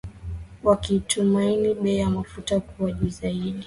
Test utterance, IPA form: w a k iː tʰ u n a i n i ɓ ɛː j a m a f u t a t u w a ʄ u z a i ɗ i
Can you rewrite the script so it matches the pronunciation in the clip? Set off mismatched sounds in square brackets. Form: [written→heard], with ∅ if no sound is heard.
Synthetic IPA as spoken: w a k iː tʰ u [n→m] a i n i ɓ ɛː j a m a f u t a [t→k] u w a ʄ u z a i ɗ i